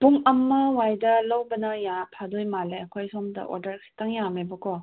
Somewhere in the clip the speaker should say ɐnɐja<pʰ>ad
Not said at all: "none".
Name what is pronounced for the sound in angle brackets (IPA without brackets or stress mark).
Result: pʰ